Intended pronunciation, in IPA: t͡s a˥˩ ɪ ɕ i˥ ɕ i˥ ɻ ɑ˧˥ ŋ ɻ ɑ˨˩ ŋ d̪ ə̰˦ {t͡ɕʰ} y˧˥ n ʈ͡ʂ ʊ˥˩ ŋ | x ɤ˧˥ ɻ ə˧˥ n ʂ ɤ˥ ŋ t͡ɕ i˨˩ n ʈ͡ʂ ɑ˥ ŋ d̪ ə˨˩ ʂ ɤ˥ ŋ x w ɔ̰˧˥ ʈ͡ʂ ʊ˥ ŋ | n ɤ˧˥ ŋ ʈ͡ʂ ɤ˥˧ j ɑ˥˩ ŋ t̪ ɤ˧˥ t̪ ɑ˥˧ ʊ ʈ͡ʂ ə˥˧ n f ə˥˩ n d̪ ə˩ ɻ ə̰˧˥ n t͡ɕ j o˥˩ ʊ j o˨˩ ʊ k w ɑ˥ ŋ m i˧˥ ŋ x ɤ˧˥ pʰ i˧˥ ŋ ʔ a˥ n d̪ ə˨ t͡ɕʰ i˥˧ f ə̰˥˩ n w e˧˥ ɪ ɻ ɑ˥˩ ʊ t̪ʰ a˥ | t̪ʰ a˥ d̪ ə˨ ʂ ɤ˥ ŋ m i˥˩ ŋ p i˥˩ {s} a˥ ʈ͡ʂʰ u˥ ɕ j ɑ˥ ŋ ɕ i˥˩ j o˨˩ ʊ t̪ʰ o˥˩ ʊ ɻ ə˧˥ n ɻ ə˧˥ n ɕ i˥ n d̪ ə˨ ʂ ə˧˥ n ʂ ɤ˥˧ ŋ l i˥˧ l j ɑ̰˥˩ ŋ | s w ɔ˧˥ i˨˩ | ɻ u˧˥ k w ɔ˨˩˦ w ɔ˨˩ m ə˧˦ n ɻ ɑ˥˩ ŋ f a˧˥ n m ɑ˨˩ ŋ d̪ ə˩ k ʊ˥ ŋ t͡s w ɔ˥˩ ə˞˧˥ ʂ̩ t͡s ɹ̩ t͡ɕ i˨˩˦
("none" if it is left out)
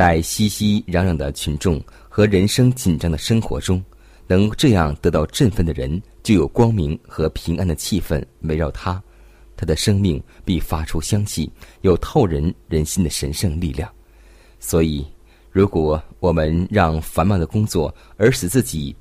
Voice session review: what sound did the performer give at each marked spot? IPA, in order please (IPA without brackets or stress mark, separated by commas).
t͡ɕʰ, f